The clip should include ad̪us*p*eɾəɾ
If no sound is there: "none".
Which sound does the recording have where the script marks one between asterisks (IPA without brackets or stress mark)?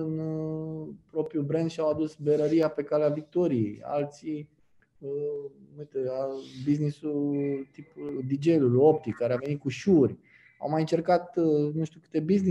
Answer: b